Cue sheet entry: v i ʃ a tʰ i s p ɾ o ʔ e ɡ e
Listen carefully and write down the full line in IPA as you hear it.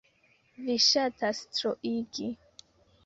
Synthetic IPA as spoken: v i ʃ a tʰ a s t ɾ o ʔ i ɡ i